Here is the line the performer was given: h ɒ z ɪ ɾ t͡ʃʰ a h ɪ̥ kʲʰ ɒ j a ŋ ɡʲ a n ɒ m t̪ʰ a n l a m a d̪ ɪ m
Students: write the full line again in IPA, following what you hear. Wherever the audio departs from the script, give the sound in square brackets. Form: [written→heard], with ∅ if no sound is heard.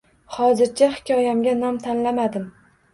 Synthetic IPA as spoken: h ɒ z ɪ ɾ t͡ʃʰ a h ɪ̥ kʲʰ ɒ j a [ŋ→m] ɡʲ a n ɒ m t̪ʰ a n l a m a d̪ ɪ m